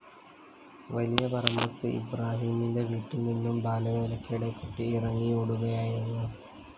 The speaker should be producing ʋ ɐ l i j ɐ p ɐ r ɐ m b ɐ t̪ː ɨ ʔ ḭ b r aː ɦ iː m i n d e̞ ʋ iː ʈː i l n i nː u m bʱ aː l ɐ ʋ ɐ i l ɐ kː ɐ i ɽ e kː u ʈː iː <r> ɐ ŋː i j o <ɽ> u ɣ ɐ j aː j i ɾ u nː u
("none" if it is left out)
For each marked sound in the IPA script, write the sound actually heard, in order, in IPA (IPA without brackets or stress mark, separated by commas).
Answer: r, ɽ